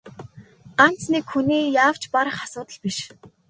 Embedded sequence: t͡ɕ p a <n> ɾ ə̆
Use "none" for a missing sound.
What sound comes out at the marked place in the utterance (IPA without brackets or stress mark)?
none